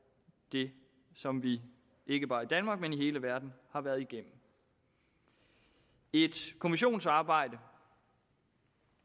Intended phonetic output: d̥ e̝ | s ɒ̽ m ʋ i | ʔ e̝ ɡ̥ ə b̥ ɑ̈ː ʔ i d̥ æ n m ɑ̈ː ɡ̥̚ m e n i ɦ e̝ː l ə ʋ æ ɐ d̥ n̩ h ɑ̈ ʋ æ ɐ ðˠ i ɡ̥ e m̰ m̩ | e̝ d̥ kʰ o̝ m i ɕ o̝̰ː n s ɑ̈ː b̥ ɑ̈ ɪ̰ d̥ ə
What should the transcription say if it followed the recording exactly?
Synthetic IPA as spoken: d̥ e̝ | s ɒ̽ m ʋ i | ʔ e̝ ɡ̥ ə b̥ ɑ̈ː i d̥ æ n m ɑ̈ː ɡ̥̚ m e n i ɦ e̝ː l ə ʋ æ ɐ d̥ n̩ h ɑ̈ ʋ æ ɐ ðˠ i ɡ̥ e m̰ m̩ | e̝ d̥ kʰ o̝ m i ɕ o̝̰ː n s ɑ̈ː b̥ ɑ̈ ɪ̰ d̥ ə